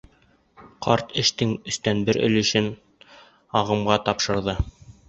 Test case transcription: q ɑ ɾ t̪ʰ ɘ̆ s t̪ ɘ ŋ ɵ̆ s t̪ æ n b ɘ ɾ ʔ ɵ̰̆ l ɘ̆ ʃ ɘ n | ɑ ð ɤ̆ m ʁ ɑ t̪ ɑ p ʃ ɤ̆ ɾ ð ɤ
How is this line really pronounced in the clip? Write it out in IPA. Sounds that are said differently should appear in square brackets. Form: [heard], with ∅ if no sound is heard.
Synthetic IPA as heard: q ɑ ɾ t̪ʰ ɘ̆ [ʃ] t̪ ɘ ŋ ɵ̆ s t̪ æ n b ɘ ɾ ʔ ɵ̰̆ l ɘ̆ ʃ ɘ n | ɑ [ʁ] ɤ̆ m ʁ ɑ t̪ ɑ p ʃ ɤ̆ ɾ ð ɤ

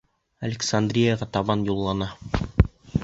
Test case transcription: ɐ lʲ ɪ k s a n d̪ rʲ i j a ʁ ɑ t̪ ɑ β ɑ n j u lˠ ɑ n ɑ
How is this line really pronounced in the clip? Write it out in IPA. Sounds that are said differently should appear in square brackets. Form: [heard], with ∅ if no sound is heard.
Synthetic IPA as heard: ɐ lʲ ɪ k s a n d̪ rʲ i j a ʁ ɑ t̪ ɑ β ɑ n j u [lˠː] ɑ n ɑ

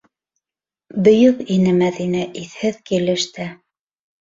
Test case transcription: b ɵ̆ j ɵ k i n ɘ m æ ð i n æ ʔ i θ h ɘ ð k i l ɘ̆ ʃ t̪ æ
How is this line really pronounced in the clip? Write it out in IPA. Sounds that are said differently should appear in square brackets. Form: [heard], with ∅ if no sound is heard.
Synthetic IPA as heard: b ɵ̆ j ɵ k i n ɘ m æ ð i n æ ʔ i θ h ɘ ð k i l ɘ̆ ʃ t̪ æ

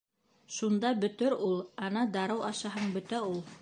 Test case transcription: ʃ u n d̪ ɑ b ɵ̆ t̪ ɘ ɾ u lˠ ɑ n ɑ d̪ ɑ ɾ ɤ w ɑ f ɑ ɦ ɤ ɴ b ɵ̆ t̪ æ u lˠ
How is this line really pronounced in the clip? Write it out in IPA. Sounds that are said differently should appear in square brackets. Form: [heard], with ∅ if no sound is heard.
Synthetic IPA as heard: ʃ u n d̪ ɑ b ɵ̆ t̪ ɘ ɾ u lˠ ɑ n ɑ d̪ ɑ ɾ ɤ w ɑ [ʃ] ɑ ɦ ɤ ɴ b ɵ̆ t̪ æ u lˠ

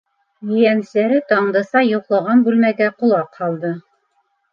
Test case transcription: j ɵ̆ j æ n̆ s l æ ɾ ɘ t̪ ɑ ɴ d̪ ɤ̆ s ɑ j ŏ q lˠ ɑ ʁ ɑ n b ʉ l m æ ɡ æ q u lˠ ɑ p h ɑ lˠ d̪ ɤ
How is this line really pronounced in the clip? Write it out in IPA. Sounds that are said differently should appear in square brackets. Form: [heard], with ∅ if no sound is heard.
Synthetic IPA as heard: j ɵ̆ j æ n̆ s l æ ɾ ɘ t̪ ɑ ɴ d̪ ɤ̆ s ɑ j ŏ q lˠ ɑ ʁ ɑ n b ʉ l m æ ɡ æ q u lˠ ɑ [q] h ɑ lˠ d̪ ɤ

